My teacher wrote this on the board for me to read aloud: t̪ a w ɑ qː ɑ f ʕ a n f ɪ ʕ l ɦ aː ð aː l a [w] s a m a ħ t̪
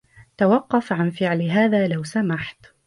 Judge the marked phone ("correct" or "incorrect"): correct